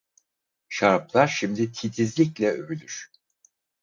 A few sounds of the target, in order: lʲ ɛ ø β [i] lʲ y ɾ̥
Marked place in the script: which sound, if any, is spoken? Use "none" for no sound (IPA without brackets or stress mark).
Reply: y